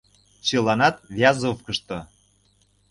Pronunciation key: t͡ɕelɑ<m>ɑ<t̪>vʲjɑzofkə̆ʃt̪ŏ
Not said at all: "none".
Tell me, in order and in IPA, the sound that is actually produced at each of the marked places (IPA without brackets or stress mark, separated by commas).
n, t̪